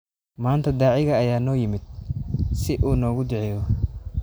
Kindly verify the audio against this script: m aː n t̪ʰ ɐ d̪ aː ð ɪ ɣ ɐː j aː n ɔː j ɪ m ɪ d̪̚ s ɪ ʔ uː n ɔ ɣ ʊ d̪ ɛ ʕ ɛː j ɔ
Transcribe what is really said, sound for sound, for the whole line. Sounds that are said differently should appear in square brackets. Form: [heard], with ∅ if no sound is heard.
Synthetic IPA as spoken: m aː n t̪ʰ ɐ d̪ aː [ʕ] ɪ ɣ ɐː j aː n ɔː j ɪ m ɪ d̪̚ s ɪ ʔ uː n [ɔː] ɣ ʊ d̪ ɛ ʕ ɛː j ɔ